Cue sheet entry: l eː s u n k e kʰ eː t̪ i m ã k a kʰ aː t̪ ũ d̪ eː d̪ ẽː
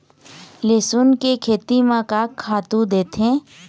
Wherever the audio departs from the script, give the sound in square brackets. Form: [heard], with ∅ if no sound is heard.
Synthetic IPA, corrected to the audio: l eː s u n k e kʰ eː t̪ i m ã k a kʰ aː t̪ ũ d̪ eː [t̪] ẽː